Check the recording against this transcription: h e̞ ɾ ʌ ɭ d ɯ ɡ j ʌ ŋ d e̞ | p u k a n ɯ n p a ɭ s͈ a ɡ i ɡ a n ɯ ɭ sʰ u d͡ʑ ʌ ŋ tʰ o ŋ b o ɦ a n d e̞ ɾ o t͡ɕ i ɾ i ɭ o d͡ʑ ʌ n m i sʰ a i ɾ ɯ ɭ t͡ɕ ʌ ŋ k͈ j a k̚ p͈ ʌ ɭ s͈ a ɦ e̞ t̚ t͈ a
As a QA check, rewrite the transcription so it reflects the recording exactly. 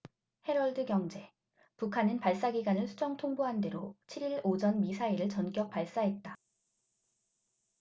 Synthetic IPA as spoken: h e̞ ɾ ʌ ɭ d ɯ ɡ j ʌ ŋ d͡ʑ e̞ | p u kʰ a n ɯ n p a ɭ s͈ a ɡ i ɡ a n ɯ ɭ sʰ u d͡ʑ ʌ ŋ tʰ o ŋ b o ɦ a n d e̞ ɾ o t͡ɕʰ i ɾ i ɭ o d͡ʑ ʌ n m i sʰ a i ɾ ɯ ɭ t͡ɕ ʌ n k͈ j ʌ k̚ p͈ a ɭ s͈ a ɦ e̞ t̚ t͈ a